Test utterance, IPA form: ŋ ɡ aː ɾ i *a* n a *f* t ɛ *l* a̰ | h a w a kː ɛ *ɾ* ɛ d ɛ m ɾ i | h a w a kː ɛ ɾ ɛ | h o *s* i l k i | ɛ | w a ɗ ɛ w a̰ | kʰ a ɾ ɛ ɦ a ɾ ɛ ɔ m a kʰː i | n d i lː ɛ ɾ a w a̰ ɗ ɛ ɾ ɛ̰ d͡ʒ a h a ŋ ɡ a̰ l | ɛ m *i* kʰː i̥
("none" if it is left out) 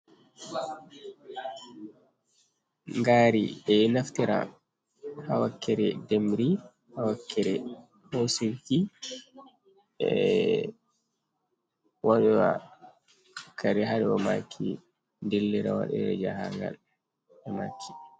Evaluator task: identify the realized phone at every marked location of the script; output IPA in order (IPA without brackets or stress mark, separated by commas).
ɛ, f, ɾ, ɾ, s, a